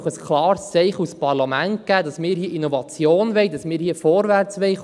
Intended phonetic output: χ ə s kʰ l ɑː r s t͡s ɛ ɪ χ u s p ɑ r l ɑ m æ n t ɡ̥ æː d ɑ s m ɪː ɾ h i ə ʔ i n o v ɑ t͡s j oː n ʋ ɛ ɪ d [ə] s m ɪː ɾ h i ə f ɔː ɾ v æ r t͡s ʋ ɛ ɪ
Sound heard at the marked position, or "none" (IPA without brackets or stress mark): ɑ